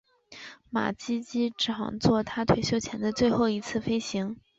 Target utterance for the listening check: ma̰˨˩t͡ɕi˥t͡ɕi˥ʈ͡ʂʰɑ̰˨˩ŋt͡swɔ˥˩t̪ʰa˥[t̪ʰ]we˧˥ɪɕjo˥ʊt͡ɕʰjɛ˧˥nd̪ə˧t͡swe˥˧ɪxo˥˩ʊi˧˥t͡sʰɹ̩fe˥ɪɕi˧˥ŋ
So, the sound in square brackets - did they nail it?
yes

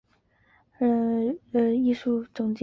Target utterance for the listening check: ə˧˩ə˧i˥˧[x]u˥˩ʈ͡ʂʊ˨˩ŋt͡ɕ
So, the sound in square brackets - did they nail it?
no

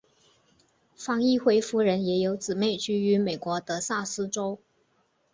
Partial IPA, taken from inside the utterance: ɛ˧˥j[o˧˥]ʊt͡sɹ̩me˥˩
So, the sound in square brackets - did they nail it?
yes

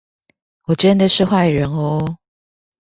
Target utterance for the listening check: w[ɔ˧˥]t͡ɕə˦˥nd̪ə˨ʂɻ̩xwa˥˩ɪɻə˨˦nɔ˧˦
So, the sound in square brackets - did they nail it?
no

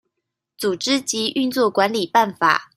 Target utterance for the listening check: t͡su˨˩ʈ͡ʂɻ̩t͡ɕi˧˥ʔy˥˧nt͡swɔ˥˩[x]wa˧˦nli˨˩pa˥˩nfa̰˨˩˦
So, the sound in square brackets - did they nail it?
no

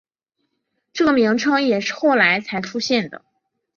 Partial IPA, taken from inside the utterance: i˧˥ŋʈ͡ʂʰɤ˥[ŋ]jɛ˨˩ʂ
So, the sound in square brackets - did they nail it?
yes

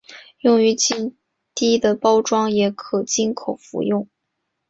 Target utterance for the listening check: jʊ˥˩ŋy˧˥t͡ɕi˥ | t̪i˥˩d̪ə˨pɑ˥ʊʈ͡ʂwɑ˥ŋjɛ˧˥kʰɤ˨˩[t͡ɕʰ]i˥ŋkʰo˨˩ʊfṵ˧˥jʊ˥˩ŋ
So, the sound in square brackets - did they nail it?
no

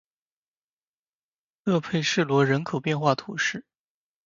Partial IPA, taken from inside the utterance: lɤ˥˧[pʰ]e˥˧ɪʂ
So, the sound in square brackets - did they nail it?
yes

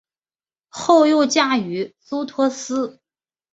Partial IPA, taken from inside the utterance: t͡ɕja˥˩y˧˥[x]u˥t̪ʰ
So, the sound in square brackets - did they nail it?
no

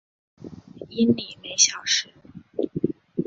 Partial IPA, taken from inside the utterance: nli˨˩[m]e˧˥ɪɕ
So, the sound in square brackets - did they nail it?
yes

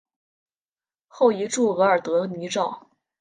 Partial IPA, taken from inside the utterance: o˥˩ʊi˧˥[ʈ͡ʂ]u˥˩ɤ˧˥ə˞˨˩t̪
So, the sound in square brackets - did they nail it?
yes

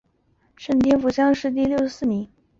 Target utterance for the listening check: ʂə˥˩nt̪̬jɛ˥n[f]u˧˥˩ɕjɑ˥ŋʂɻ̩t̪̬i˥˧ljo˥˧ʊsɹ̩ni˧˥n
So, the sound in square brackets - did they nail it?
yes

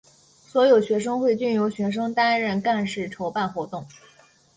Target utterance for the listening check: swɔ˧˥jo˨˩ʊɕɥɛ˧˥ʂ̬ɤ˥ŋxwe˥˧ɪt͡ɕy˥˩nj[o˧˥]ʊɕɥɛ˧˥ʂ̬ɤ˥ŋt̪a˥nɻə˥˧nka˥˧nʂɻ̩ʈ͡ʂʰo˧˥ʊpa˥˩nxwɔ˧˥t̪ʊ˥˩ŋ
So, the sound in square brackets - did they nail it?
yes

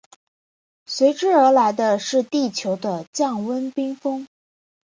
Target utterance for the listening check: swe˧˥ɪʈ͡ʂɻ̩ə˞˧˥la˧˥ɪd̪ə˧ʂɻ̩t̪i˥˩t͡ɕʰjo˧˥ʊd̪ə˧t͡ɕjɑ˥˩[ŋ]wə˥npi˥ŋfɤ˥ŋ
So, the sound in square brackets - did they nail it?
yes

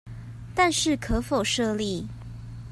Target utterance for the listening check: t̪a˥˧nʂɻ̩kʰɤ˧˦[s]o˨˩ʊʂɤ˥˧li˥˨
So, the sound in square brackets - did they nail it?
no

